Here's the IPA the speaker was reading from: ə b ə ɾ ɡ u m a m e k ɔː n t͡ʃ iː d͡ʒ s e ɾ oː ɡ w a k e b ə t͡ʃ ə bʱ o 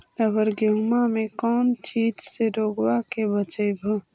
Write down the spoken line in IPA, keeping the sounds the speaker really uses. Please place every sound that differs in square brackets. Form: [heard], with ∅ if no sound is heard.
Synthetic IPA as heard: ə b ə ɾ ɡ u m a m e k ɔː n t͡ʃ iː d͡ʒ s e ɾ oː ɡ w a k e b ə t͡ʃ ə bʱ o